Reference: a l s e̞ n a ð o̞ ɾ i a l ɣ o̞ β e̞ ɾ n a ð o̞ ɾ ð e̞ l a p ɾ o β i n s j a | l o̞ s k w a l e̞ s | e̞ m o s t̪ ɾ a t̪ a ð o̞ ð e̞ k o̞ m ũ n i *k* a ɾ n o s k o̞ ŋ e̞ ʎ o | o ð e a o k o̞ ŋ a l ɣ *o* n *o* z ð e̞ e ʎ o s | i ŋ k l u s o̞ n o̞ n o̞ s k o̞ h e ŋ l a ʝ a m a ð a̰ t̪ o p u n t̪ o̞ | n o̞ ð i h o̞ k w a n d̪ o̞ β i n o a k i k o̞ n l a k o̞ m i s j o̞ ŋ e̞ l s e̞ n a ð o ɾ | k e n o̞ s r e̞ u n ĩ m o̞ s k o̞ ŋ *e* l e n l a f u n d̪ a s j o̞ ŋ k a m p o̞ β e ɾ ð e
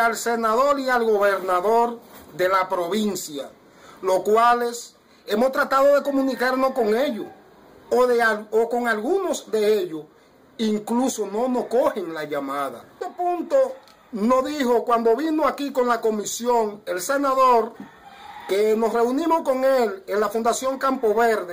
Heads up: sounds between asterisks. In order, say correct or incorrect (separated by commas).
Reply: correct, incorrect, correct, correct